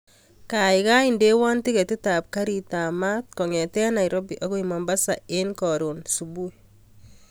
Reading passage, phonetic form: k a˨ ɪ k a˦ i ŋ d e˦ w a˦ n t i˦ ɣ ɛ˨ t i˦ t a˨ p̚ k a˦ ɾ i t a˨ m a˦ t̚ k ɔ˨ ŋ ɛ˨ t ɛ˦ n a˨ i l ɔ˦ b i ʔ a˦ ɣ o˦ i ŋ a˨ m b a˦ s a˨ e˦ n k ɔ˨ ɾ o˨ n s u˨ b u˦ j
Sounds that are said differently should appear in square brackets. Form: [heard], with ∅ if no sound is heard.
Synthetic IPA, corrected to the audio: k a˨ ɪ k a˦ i [n] d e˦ w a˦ n t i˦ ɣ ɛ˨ t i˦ t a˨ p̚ k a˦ ɾ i t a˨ m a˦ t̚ k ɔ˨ ŋ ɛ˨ t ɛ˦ n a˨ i [ɾ] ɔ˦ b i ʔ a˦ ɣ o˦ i [m] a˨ m b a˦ s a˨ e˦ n k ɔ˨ ɾ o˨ n s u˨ b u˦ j

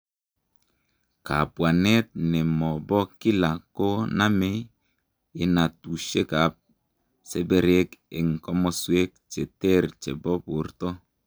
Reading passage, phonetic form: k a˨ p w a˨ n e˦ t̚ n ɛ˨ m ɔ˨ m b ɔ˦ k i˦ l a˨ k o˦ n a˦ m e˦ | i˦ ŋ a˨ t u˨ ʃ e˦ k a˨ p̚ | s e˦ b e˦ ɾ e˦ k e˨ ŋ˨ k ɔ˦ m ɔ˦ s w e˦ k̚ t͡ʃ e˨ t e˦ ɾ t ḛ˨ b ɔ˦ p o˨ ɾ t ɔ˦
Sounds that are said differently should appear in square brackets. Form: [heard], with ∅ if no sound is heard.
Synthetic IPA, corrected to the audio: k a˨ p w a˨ n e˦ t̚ n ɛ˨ m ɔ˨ [∅] b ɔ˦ k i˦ l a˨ k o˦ n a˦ m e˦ | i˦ [n] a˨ t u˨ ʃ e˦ k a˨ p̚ | s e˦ b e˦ ɾ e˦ k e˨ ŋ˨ k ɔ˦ m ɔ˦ s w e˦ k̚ t͡ʃ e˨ t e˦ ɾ [t͡ʃ] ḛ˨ b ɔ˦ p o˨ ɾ t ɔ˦

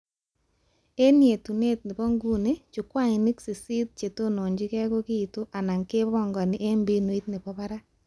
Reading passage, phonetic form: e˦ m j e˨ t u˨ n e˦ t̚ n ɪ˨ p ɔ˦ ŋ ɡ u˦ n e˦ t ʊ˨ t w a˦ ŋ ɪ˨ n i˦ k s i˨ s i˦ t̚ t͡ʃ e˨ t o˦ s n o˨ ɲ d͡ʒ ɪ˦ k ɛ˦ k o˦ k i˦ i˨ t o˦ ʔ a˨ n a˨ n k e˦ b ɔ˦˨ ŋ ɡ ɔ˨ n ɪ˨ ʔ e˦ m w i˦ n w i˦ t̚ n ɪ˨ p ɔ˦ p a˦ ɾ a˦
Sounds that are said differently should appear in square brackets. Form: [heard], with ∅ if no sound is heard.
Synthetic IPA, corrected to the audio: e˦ [n] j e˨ t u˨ n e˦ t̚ n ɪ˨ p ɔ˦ ŋ ɡ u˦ n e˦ [t͡ʃ] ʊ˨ [k] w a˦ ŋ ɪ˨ n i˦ k s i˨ s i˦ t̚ t͡ʃ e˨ t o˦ [∅] n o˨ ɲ d͡ʒ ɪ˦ k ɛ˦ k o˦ k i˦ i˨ t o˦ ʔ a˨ n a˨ [ŋ] k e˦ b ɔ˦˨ ŋ ɡ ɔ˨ n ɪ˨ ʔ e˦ m [b] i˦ n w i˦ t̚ n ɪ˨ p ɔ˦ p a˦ ɾ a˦

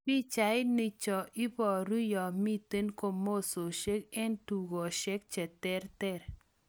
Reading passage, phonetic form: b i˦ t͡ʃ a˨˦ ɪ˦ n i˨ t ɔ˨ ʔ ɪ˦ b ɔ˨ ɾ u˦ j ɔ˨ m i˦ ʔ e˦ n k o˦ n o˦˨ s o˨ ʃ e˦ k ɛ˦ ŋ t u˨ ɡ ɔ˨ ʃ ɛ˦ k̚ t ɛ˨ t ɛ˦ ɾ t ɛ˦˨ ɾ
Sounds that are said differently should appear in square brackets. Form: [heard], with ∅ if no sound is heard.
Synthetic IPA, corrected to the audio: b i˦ t͡ʃ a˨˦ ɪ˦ n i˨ [t͡ʃ] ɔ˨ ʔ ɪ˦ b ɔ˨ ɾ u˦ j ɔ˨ m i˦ [t] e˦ n k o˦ [m] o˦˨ s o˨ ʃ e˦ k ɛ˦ [n] t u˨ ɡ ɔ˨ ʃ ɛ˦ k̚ [t͡ʃ] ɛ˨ t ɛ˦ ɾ t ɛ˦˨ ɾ

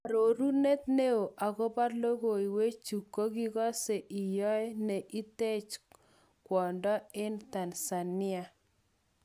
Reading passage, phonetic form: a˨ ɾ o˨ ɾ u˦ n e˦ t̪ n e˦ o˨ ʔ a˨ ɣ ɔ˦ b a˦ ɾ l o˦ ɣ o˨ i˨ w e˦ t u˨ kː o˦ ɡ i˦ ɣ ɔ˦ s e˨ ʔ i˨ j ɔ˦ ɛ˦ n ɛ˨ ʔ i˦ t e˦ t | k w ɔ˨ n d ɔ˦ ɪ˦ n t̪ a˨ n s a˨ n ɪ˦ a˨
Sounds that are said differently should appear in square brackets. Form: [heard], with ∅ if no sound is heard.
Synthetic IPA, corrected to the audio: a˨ ɾ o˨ ɾ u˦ n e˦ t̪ n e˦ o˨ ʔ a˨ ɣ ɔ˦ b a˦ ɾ l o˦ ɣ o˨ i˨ w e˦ [t͡ʃ] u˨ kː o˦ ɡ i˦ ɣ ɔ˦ s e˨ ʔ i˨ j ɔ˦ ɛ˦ n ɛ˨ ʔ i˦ t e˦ [t͡ʃ] | k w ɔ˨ n d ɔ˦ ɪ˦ n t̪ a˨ n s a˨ n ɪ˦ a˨

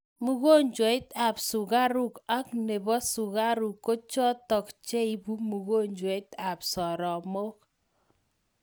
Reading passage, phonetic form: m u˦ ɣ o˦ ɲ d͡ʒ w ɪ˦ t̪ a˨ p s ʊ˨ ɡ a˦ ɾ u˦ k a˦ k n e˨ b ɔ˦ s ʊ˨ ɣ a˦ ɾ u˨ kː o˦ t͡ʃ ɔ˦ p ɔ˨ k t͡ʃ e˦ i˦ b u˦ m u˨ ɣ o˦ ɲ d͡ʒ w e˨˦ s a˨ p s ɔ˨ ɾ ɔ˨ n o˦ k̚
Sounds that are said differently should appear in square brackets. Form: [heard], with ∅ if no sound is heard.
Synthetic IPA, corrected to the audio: m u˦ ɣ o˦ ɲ d͡ʒ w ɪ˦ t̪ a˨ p s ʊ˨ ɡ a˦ ɾ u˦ k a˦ k n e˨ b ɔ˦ s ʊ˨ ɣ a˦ ɾ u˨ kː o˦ t͡ʃ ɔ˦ [t] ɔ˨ k t͡ʃ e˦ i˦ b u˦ m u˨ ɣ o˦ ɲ d͡ʒ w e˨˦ [t] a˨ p s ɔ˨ ɾ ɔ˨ [m] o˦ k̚

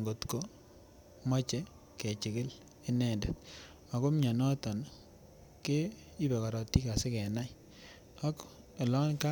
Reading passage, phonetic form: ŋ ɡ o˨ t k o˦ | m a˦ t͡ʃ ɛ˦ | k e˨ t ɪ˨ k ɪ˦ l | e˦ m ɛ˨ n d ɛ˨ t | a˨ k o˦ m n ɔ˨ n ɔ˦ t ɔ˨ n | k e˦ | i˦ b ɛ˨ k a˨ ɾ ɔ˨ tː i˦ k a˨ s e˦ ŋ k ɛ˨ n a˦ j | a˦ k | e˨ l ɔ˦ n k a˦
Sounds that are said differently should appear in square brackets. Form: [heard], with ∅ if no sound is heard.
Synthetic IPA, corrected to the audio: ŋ ɡ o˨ t k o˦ | m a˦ t͡ʃ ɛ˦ | k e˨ [t͡ʃ] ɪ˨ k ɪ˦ l | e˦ [n] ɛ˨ n d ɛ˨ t | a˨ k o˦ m [ɲ] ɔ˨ n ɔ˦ t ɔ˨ n | k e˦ | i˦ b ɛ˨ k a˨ ɾ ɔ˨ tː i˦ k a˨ s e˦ [∅] k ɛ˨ n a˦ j | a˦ k | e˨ l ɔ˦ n k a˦

